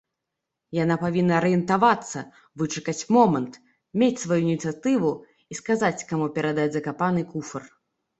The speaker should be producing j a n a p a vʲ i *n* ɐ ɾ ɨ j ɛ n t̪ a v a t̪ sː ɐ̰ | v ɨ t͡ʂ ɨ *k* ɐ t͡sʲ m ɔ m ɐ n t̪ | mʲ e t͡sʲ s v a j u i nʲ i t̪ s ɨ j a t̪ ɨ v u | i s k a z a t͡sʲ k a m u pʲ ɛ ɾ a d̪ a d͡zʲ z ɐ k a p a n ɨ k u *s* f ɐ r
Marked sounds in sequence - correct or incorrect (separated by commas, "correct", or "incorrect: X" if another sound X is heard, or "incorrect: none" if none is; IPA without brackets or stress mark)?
incorrect: nː, correct, incorrect: none